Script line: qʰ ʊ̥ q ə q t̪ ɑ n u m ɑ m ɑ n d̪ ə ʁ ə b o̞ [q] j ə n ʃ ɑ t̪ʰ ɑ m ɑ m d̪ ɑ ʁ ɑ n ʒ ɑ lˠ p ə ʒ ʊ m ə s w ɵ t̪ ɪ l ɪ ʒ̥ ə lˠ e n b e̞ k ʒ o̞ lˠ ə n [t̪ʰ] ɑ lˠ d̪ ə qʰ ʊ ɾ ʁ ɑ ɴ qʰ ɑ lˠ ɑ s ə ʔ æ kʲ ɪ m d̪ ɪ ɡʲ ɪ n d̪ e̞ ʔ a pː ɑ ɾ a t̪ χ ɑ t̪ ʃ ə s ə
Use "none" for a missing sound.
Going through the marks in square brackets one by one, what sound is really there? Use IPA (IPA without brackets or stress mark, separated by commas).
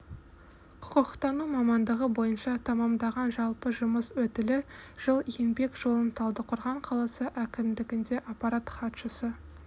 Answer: none, t̪ʰ